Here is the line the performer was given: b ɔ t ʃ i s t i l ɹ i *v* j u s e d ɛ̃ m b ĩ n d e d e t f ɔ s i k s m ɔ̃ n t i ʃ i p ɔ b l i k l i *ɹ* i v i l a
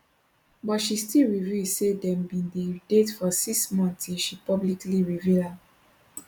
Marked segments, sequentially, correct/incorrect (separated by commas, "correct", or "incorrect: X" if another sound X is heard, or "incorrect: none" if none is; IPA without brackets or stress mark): correct, correct